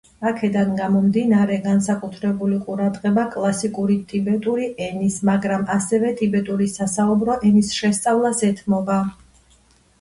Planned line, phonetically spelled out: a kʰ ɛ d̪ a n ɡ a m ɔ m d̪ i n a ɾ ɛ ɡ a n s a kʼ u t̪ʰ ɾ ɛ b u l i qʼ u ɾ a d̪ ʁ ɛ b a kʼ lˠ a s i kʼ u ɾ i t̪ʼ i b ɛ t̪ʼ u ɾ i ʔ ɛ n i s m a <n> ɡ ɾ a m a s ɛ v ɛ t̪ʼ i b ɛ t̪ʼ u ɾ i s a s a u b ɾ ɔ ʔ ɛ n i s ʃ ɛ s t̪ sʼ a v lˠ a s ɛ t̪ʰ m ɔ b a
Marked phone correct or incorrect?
incorrect